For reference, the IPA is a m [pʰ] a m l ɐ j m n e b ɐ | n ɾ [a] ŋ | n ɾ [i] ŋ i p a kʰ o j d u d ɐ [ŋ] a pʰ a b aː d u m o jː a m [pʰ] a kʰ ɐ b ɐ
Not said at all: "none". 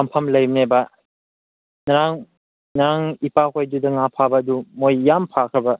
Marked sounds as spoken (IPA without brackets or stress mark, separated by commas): pʰ, a, a, ŋ, pʰ